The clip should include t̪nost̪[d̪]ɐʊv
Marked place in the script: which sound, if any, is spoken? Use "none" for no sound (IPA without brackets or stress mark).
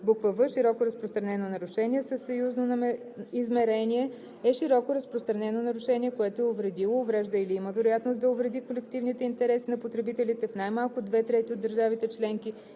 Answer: d̪